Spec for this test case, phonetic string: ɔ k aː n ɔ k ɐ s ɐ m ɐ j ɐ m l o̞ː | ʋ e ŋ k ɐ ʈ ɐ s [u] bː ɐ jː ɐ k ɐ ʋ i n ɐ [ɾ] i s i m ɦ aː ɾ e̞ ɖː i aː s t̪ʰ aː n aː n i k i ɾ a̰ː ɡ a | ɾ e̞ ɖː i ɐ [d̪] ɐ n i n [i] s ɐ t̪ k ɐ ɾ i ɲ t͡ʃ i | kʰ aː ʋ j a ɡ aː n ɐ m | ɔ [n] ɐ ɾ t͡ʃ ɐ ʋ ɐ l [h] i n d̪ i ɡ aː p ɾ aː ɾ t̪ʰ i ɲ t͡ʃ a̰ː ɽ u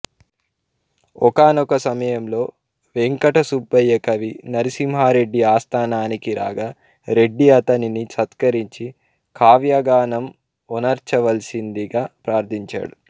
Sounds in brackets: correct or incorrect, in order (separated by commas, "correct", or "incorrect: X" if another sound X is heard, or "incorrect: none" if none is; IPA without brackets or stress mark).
correct, correct, incorrect: t̪, correct, correct, incorrect: s